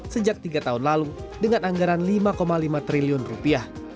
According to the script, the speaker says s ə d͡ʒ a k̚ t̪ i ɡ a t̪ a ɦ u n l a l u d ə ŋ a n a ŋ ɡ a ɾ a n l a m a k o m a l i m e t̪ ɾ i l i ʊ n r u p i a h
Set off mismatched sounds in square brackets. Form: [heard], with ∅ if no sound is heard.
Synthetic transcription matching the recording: s ə d͡ʒ a k̚ t̪ i ɡ a t̪ a ɦ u n l a l u d ə ŋ a n a ŋ ɡ a ɾ a n l [i] m a k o m a l i m [a] t̪ ɾ i l i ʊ n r u p i a h